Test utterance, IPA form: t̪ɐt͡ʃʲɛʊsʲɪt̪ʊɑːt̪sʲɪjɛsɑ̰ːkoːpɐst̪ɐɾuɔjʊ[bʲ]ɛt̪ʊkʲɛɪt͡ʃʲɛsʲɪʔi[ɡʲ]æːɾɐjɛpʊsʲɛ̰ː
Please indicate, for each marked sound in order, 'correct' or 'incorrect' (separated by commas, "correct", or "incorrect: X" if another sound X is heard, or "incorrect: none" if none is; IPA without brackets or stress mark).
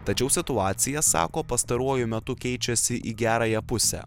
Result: incorrect: mʲ, correct